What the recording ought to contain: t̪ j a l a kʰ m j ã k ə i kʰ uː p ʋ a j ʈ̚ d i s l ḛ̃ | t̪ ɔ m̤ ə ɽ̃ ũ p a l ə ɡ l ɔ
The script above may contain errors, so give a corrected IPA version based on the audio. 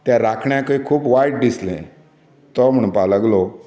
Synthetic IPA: t̪ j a ɾ a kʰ ɳ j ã k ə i kʰ uː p ʋ a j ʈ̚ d i s l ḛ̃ | t̪ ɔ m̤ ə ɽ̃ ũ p a l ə ɡ l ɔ